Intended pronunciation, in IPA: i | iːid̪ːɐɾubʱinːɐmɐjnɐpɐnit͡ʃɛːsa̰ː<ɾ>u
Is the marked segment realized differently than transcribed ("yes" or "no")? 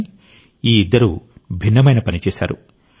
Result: no